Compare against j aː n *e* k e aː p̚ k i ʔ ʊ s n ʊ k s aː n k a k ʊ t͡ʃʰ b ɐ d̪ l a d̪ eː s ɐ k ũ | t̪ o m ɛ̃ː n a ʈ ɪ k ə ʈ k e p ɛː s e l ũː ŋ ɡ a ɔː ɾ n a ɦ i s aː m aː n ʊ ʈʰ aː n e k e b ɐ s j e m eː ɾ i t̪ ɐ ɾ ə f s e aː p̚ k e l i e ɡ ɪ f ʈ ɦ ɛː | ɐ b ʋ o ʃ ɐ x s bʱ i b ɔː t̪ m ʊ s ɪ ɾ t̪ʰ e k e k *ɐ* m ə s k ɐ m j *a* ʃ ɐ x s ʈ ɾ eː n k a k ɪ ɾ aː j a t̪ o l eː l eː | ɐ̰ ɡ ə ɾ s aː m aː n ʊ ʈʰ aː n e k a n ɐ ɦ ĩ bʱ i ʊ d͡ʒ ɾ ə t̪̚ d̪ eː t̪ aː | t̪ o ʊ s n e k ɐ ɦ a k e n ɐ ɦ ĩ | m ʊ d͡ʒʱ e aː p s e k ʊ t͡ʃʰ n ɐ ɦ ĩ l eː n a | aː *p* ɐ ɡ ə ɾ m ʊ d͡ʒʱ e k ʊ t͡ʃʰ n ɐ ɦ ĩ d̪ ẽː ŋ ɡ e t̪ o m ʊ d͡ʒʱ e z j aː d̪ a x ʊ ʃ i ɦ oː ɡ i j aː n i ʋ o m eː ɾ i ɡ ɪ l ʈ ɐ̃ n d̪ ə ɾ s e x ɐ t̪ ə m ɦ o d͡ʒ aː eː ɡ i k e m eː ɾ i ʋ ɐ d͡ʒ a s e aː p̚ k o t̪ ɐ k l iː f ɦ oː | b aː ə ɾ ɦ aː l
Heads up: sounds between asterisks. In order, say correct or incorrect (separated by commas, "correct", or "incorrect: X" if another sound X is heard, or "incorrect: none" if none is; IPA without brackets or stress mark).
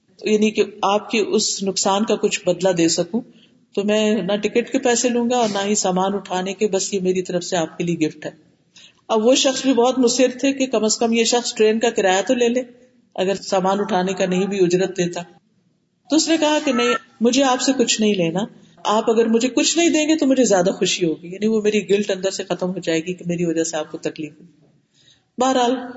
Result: incorrect: i, correct, incorrect: e, correct